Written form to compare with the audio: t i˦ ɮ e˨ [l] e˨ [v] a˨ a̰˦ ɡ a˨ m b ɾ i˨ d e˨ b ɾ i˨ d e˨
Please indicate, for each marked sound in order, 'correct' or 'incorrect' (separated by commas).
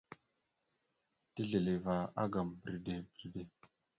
correct, correct